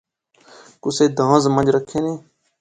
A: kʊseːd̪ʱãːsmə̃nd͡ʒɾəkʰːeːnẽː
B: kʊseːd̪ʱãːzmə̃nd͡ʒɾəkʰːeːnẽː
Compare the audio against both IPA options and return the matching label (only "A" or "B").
B